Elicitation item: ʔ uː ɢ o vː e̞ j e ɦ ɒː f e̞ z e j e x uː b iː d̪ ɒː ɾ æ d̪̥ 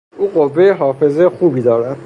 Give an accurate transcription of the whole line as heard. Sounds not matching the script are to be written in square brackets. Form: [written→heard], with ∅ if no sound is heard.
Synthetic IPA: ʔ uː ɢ o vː e̞ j e ɦ ɒː f e̞ z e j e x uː b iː d̪ ɒː ɾ æ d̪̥

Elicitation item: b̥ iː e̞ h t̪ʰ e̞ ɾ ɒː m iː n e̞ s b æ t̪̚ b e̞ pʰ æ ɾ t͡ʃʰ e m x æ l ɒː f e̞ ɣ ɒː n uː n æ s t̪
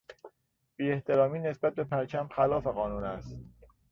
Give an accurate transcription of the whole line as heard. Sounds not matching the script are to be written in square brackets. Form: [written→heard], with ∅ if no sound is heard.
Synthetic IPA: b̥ iː e̞ h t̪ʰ e̞ ɾ ɒː m iː n e̞ s b æ t̪̚ b e̞ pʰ æ ɾ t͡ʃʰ [e→æ] m x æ l ɒː f e̞ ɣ ɒː n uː n æ s t̪

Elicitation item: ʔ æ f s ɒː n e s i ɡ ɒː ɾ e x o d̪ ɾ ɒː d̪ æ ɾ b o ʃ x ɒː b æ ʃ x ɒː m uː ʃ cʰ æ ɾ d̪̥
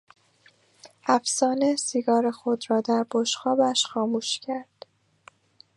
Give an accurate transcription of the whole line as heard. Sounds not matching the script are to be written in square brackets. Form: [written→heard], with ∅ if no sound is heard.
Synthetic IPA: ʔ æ f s ɒː n e s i ɡ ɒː ɾ e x o d̪ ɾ ɒː d̪ æ ɾ b o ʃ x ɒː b æ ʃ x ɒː m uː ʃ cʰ æ ɾ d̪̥

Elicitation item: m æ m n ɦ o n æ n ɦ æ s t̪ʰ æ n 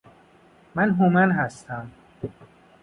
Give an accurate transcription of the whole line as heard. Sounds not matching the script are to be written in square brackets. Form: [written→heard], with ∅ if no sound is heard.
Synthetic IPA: m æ [m→∅] n ɦ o [n→m] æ n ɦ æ s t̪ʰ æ [n→m]

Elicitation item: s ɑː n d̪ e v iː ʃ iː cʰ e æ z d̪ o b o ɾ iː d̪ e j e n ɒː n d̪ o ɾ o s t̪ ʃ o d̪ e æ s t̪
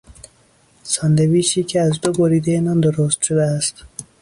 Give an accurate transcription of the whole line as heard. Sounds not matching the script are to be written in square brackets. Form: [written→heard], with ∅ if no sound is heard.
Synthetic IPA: s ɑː n d̪ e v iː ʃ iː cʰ e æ z d̪ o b o ɾ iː d̪ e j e n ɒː n d̪ o ɾ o s t̪ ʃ o d̪ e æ s t̪

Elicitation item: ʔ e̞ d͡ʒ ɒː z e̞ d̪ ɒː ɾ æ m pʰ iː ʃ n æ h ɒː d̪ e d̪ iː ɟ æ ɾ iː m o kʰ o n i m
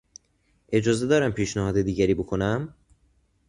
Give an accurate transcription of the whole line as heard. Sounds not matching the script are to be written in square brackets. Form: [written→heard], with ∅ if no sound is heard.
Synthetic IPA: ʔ e̞ d͡ʒ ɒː z e̞ d̪ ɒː ɾ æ m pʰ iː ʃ n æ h ɒː d̪ e d̪ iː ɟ æ ɾ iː [m→b] o kʰ o n [i→æ] m

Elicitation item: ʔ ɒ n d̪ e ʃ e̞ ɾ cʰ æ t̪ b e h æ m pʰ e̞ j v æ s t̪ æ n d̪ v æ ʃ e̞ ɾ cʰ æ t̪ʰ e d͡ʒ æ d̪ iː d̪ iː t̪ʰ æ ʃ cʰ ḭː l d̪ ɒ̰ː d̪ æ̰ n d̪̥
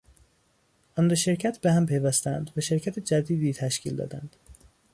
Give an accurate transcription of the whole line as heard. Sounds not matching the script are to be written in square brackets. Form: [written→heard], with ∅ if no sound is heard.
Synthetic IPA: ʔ ɒ n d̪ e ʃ e̞ ɾ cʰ æ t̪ b e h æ m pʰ e̞ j v æ s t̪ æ n d̪ v æ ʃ e̞ ɾ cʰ æ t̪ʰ e d͡ʒ æ d̪ iː d̪ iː t̪ʰ æ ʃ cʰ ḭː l d̪ ɒ̰ː d̪ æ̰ n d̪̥

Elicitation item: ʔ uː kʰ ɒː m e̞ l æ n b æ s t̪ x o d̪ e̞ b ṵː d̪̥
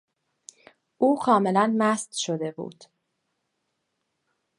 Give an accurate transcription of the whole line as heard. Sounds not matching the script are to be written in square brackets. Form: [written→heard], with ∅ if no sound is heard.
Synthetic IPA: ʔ uː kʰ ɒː m e̞ l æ n [b→m] æ s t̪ [x→ʃ] o d̪ e̞ b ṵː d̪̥

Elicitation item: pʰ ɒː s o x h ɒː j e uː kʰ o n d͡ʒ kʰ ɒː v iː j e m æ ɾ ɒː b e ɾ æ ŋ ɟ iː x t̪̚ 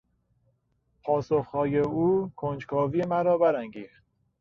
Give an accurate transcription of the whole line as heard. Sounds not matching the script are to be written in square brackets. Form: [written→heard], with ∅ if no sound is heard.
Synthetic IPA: pʰ ɒː s o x h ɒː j e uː kʰ o n d͡ʒ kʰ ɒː v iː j e m æ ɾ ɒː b [e→æ] ɾ æ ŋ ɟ iː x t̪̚

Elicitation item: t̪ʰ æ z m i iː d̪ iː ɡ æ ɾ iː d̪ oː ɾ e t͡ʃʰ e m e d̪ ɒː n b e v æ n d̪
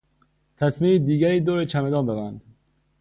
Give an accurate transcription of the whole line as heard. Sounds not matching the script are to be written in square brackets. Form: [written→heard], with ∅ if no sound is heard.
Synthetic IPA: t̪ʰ æ [z→s] m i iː d̪ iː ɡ æ ɾ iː d̪ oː ɾ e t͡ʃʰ [e→æ] m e d̪ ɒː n b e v æ n d̪

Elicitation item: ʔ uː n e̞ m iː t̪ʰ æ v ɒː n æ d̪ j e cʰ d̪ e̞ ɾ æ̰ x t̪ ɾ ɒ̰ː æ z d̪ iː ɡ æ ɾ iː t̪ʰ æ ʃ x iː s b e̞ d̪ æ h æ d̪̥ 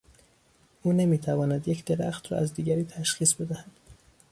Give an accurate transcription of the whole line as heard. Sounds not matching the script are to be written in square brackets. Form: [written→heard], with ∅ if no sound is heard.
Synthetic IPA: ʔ uː n e̞ m iː t̪ʰ æ v ɒː n æ d̪ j e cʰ d̪ e̞ ɾ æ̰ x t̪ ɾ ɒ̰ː æ z d̪ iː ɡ æ ɾ iː t̪ʰ æ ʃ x iː s b e̞ d̪ æ h æ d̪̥

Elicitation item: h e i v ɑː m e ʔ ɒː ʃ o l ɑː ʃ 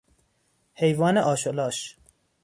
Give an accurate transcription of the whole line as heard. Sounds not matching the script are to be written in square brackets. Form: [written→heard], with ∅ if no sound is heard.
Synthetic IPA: h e [i→j] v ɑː [m→n] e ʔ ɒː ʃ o l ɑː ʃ

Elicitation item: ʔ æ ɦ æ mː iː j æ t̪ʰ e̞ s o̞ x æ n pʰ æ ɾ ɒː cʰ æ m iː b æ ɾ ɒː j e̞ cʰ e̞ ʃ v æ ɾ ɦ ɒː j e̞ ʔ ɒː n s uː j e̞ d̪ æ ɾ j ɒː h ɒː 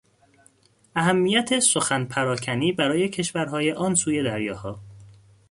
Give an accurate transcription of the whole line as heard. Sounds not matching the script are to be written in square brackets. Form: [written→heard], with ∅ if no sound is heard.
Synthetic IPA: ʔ æ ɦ æ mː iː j æ t̪ʰ e̞ s o̞ x æ n pʰ æ ɾ ɒː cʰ æ [m→n] iː b æ ɾ ɒː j e̞ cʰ e̞ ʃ v æ ɾ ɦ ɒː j e̞ ʔ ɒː n s uː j e̞ d̪ æ ɾ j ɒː h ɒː

